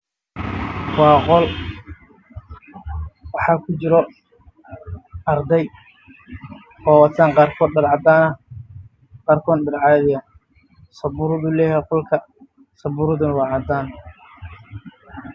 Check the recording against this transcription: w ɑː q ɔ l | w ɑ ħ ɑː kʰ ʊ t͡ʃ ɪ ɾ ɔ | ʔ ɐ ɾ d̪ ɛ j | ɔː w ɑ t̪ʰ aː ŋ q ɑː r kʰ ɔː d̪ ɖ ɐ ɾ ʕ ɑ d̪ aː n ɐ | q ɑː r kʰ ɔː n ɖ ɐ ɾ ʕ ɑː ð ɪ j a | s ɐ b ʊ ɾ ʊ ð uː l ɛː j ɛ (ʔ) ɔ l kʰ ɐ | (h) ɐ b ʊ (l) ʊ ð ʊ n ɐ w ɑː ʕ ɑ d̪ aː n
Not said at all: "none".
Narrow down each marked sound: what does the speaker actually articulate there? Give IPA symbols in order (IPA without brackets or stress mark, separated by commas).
q, s, ɾ